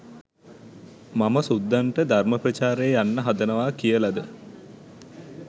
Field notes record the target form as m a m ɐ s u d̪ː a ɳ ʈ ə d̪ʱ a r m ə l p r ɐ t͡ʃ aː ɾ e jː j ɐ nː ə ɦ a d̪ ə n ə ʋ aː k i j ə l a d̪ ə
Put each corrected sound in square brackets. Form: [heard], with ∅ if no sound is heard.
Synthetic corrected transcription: m a m [ə] s u d̪ː a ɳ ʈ ə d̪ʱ a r m ə [∅] p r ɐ t͡ʃ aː ɾ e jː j [a] nː ə ɦ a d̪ ə n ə ʋ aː k i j ə l a d̪ ə